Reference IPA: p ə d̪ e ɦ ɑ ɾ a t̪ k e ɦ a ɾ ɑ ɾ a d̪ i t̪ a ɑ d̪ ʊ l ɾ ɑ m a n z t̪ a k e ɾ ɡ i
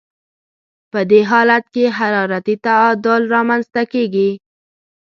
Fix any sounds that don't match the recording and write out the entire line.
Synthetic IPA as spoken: p ə d̪ e ɦ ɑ l a t̪ k e ɦ a ɾ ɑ ɾ a t̪ i t̪ a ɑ d̪ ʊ l ɾ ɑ m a n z t̪ a k e ɡ i